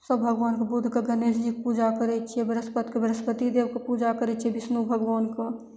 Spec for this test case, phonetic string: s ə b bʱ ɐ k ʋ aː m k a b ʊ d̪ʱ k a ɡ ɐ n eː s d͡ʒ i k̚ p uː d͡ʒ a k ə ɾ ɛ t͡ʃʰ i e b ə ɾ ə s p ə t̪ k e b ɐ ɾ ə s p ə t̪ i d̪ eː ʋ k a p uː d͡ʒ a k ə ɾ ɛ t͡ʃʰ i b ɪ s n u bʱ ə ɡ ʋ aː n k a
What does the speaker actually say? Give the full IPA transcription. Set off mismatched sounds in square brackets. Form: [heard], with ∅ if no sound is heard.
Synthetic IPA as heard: s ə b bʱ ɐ [ɡ] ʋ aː [n] k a b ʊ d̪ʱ k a ɡ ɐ n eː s d͡ʒ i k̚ p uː d͡ʒ a k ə ɾ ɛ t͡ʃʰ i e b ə ɾ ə s p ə t̪ k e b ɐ ɾ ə s p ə t̪ i d̪ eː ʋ k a p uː d͡ʒ a k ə ɾ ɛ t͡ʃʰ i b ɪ s n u bʱ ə ɡ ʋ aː n k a